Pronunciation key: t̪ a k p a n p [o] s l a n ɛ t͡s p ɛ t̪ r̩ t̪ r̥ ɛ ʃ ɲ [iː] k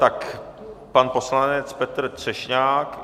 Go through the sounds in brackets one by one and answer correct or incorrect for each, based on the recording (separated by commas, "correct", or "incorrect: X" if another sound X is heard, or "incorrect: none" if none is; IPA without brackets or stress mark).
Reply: correct, incorrect: aː